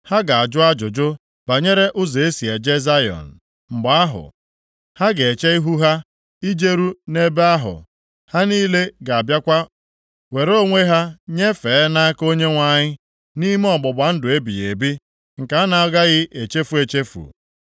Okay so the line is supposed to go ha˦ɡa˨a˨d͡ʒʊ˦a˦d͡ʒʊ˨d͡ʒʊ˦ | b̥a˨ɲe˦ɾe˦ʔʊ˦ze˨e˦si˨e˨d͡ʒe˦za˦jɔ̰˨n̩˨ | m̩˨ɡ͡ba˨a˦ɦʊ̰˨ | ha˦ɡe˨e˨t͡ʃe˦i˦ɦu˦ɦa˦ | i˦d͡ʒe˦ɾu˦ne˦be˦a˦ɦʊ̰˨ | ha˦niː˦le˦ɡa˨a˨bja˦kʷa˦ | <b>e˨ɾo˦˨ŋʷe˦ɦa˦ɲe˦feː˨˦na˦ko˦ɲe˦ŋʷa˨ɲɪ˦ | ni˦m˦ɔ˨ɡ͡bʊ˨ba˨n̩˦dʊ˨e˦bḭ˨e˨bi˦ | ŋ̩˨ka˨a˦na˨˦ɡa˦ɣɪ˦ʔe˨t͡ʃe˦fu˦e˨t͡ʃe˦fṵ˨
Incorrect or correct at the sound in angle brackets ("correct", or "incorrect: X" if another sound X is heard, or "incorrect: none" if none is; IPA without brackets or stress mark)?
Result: incorrect: w